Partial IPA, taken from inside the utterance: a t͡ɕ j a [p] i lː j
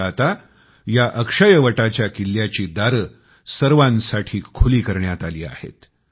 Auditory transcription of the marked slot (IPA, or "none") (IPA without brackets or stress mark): k